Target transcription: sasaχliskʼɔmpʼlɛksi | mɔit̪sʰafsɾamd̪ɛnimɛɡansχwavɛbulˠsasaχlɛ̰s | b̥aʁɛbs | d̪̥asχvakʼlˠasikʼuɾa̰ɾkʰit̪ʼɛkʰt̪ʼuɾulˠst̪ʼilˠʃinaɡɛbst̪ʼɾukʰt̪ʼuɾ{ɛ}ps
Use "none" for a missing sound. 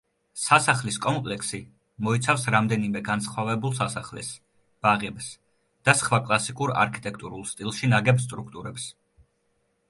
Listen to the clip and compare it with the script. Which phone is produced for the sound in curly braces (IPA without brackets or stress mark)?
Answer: ɛ